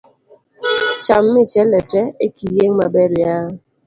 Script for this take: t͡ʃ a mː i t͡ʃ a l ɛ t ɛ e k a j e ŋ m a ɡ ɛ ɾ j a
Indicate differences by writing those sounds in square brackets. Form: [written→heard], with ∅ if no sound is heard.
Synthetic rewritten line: t͡ʃ a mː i t͡ʃ [a→ɛ] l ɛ t ɛ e k [a→i] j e ŋ m a [ɡ→b] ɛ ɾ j a

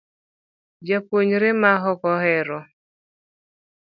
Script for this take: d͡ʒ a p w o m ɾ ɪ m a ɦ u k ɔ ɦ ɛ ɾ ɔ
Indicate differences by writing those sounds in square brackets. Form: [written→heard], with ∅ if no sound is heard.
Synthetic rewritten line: d͡ʒ a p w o [m→ɲ] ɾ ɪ m a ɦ [u→ɔ] k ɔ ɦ ɛ ɾ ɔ

